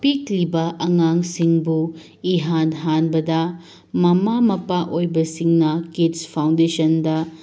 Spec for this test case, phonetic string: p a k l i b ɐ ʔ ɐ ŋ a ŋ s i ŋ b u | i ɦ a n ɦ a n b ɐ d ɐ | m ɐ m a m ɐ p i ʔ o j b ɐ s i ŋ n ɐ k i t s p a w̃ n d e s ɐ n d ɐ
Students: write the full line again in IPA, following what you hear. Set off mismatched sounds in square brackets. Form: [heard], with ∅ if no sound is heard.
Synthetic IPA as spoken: p [i] k l i b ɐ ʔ ɐ ŋ a ŋ s i ŋ b u | i ɦ a n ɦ a n b ɐ d ɐ | m ɐ m a m ɐ p [a] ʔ o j b ɐ s i ŋ n ɐ k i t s [pʰ] a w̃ n d e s ɐ n d ɐ

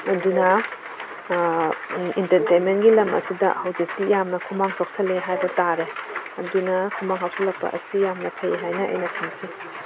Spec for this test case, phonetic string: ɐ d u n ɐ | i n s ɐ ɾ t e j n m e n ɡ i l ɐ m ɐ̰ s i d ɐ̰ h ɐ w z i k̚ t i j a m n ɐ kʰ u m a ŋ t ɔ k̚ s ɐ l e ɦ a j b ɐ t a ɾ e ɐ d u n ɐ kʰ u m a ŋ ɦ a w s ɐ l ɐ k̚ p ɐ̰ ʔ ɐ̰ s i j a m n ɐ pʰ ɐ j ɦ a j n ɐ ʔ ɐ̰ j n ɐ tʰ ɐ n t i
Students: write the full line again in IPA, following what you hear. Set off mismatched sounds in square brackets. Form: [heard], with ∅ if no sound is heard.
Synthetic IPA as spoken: ɐ d u n ɐ | i n [t] ɐ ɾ t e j n m e n ɡ i l ɐ m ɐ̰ s i d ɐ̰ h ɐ w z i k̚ t i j a m n ɐ kʰ u m a ŋ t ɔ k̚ s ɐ l e ɦ a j b ɐ t a ɾ e ɐ d u n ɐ kʰ u m a ŋ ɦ a w s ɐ l ɐ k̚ p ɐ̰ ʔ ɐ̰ s i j a m n ɐ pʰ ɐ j ɦ a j n ɐ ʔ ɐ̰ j n ɐ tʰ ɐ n [s] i

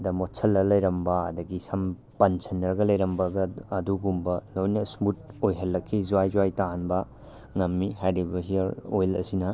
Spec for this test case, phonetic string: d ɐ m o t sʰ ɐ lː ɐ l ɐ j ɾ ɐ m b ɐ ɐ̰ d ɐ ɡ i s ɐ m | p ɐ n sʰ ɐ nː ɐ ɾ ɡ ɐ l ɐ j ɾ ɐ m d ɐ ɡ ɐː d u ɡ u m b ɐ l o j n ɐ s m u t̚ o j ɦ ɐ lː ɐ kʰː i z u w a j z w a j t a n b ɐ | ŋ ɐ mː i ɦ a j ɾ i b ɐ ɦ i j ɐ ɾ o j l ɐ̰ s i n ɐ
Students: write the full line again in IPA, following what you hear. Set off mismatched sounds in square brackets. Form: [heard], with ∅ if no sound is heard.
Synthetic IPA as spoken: d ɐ m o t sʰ ɐ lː ɐ l ɐ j ɾ ɐ m b ɐ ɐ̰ d ɐ ɡ i s ɐ m | p ɐ n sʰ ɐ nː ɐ ɾ ɡ ɐ l ɐ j ɾ ɐ m [b] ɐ ɡ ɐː d u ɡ u m b ɐ l o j n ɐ s m u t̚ o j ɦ ɐ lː ɐ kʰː i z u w a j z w a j t a n b ɐ | ŋ ɐ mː i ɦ a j ɾ i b ɐ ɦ i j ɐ ɾ o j l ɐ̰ s i n ɐ

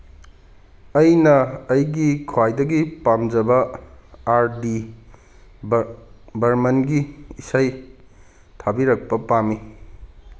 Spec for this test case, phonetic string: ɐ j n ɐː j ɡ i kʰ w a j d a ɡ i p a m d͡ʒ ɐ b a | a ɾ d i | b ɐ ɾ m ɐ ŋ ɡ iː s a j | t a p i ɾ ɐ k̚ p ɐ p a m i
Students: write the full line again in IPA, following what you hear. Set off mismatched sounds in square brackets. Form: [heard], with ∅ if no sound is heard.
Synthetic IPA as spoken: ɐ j n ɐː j ɡ i kʰ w a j d [ɐ] ɡ i p a m d͡ʒ ɐ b [ɐ] | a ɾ d i | b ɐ ɾ m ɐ [n] ɡ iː s a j | [tʰ] a [b] i ɾ ɐ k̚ p ɐ p a m i

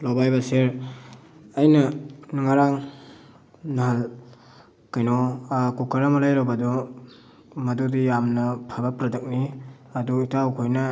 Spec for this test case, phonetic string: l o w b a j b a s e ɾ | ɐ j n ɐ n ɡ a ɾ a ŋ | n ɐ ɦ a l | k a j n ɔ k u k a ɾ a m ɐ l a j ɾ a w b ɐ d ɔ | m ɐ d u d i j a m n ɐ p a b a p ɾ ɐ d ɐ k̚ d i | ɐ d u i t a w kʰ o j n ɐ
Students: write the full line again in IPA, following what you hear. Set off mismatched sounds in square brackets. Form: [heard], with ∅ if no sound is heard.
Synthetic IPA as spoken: l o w b a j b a s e ɾ | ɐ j n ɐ n [ŋ] a ɾ a ŋ | n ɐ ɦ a l | k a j n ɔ k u k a ɾ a m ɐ l a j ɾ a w b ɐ d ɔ | m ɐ d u d i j a m n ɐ [pʰ] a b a p ɾ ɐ d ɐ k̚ [n] i | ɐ d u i t a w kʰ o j n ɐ

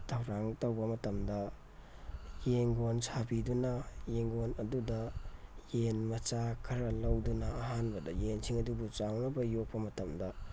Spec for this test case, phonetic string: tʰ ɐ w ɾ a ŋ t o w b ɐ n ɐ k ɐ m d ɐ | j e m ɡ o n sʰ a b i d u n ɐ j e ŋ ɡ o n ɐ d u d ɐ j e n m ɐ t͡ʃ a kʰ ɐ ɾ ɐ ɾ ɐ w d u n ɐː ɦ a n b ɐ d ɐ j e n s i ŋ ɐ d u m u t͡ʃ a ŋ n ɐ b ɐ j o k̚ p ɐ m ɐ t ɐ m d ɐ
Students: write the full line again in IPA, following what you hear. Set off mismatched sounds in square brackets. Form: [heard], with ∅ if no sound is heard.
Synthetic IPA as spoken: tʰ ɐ w ɾ a ŋ t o w b ɐ [m] ɐ [t] ɐ m d ɐ | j e [ŋ] ɡ o n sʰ a b i d u n ɐ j e ŋ ɡ o n ɐ d u d ɐ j e n m ɐ t͡ʃ a kʰ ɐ ɾ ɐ [l] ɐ w d u n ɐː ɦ a n b ɐ d ɐ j e n s i ŋ ɐ d u [b] u t͡ʃ a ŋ n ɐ b ɐ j o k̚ p ɐ m ɐ t ɐ m d ɐ

